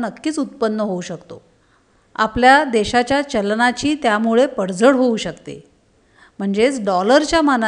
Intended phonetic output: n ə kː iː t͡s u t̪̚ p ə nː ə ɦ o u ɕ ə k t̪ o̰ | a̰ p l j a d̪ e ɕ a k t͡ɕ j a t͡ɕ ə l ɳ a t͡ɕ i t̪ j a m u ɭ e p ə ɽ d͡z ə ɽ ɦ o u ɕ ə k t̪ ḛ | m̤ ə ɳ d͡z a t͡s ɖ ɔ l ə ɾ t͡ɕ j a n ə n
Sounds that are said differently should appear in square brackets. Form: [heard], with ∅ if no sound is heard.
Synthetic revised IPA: n ə kː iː t͡s u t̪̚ p ə nː ə ɦ o u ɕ ə k t̪ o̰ | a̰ p l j a d̪ e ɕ a [∅] t͡ɕ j a t͡ɕ ə l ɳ a t͡ɕ [iː] t̪ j a m u ɭ e p ə ɽ d͡z ə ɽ ɦ o u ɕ ə k t̪ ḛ | m̤ ə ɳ d͡z [e] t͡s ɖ ɔ l ə ɾ t͡ɕ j a [m] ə n